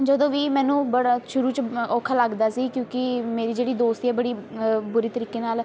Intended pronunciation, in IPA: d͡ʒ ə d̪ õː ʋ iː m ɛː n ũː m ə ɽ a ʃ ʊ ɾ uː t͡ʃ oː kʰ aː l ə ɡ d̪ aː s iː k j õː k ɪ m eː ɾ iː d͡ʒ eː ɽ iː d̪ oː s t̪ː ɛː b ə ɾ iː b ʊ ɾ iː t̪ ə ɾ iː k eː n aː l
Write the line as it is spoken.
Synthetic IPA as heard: d͡ʒ ə d̪ õː ʋ iː m ɛː n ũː b ə ɽ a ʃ ʊ ɾ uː t͡ʃ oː kʰ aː l ə ɡ d̪ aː s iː k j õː k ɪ m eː ɾ iː d͡ʒ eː ɽ iː d̪ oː s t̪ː ɛː b ə ɽ iː b ʊ ɾ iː t̪ ə ɾ iː k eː n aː l